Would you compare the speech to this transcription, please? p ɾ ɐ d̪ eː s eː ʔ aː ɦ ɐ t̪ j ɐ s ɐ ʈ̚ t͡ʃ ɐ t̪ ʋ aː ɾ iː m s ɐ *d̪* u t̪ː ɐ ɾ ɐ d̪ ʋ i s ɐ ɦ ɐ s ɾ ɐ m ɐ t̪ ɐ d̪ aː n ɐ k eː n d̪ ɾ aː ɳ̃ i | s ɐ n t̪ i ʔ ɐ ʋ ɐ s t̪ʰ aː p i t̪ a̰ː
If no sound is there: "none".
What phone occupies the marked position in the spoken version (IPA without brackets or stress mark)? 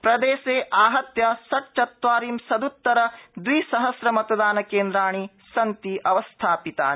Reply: d̪